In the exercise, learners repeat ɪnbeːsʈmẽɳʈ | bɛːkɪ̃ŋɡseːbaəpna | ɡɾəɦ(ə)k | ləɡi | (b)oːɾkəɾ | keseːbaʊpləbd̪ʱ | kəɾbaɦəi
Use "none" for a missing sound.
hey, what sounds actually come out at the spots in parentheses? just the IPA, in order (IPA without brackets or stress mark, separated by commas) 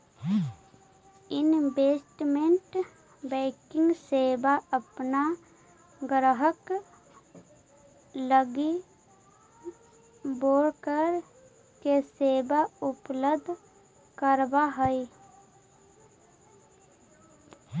ə, b